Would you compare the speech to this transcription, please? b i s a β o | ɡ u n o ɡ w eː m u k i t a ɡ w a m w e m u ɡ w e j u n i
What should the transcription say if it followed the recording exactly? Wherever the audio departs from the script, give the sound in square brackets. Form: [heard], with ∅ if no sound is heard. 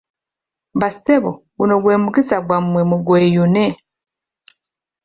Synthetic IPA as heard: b [a] s [e] β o | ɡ u n o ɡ w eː m u k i [s] a ɡ w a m w e m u ɡ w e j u n [e]